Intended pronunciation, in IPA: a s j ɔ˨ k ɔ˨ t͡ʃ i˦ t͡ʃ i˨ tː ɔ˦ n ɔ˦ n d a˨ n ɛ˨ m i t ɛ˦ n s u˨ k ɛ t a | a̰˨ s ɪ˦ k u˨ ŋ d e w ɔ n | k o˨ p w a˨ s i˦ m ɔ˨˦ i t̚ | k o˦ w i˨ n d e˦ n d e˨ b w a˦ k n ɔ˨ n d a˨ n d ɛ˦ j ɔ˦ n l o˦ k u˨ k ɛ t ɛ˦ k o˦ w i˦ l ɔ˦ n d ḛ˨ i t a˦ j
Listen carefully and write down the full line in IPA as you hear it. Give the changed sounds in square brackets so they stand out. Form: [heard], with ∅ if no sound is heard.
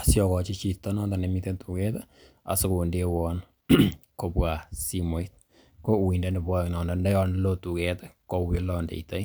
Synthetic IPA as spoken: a s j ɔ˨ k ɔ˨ t͡ʃ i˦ t͡ʃ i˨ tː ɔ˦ n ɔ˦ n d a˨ n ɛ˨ m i t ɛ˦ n [t] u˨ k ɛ t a | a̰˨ s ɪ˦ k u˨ [n] d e w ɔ n | k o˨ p w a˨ s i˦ m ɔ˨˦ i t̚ | k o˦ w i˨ n d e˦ n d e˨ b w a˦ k n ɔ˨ n d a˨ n d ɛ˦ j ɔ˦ n l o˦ [t] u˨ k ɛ t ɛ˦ k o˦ w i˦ l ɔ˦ n d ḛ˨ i t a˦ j